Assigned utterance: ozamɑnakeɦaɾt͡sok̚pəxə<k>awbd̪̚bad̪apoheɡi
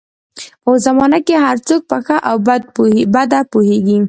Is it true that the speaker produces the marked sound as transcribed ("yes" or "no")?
no